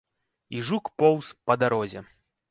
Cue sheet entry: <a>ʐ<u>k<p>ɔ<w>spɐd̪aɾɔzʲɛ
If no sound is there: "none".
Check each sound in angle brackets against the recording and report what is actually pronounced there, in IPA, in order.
i, u, p, w

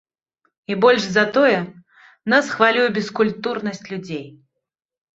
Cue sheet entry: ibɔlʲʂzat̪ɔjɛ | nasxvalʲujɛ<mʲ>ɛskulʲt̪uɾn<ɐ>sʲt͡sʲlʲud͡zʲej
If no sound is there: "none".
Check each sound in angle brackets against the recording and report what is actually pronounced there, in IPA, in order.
bʲ, ɐ

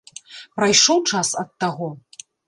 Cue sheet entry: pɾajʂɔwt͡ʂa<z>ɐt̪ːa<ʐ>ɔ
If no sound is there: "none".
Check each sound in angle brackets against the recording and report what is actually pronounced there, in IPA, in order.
s, ɣ

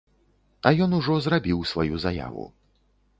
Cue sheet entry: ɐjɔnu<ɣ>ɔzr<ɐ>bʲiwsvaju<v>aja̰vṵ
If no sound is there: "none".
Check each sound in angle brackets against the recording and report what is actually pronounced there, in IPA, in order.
ʐ, a, z

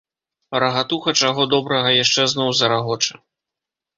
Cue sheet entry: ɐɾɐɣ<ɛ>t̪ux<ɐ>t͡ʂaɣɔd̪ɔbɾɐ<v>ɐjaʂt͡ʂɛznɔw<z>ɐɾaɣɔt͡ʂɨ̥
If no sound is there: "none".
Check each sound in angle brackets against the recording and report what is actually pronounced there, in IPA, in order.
a, ɐ, ɣ, z

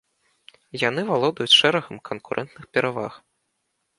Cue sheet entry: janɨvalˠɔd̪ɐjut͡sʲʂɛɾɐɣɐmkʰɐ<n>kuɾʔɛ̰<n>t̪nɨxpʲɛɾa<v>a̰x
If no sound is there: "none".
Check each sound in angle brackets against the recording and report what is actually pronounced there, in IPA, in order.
n, n, v

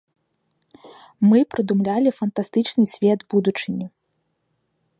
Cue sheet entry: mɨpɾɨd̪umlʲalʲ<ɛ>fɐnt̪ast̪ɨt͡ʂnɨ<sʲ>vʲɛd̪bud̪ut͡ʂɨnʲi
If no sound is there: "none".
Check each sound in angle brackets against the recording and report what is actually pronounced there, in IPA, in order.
i, sʲ

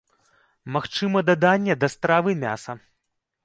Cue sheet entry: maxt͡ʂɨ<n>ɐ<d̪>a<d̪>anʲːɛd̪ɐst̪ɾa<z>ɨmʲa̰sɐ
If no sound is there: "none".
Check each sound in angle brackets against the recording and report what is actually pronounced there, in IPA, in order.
m, d̪, d̪, v

